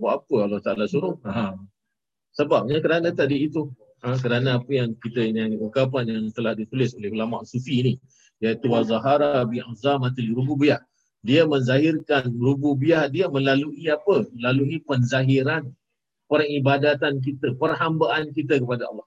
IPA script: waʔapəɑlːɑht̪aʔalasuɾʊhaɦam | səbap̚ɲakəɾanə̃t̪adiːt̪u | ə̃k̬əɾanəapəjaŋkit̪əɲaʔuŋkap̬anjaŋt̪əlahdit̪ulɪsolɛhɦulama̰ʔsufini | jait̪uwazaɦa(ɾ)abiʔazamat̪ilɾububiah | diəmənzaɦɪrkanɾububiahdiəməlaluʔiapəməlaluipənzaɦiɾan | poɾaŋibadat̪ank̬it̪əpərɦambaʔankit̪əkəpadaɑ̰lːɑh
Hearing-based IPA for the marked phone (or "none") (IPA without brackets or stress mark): ɾ